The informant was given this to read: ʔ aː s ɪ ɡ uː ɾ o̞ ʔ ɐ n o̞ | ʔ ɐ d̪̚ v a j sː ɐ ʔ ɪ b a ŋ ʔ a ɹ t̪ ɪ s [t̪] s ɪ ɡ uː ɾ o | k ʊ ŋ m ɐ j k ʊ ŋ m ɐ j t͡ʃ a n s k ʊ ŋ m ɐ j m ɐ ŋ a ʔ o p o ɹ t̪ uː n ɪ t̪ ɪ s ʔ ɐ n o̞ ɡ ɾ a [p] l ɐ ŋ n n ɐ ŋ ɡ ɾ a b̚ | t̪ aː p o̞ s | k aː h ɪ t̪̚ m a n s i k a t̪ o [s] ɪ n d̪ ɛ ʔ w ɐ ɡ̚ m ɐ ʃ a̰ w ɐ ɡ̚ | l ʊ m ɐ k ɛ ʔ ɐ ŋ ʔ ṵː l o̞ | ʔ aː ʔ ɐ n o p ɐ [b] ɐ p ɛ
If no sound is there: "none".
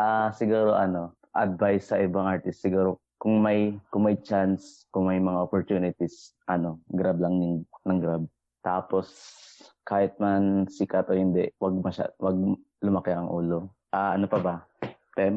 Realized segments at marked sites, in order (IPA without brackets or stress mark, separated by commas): t̪, b, h, b